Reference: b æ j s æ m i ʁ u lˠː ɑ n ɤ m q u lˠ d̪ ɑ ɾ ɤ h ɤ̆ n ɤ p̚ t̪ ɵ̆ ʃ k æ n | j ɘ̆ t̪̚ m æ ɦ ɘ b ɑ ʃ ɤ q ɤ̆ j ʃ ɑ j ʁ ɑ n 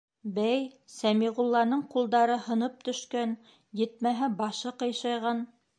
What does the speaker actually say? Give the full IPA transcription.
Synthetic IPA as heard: b æ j s æ m i ʁ u lˠː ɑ n ɤ ɴ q u lˠ d̪ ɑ ɾ ɤ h ɤ̆ n ɤ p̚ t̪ ɵ̆ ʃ k æ n | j ɘ̆ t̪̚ m æ ɦ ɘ b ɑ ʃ ɤ q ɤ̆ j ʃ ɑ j ʁ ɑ n